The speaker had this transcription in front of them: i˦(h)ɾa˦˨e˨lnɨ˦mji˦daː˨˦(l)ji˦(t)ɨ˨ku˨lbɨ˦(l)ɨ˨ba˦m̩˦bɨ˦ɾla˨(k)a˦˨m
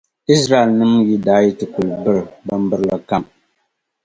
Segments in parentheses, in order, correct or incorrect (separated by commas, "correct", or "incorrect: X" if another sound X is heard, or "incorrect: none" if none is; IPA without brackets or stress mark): incorrect: s, incorrect: none, correct, incorrect: ɾ, correct